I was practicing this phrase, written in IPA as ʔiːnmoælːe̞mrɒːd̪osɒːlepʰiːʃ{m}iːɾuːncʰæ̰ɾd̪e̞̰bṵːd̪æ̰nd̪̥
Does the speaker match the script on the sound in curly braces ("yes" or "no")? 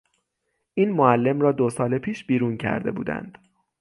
no